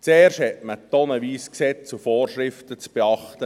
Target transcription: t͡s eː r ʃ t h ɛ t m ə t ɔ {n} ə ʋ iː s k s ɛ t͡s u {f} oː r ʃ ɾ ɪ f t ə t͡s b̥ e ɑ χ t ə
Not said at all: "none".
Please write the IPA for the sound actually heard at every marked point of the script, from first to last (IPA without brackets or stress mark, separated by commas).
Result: n, f